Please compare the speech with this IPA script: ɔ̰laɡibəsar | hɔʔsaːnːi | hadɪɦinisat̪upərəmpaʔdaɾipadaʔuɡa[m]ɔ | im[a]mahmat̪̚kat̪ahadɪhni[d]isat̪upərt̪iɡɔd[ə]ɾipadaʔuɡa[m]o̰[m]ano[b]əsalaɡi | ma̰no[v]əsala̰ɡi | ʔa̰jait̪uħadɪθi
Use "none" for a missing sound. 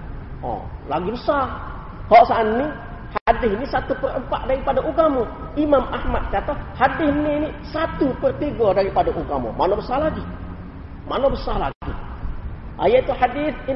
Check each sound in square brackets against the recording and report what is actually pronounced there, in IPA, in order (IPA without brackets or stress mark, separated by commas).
m, a, n, a, m, m, b, b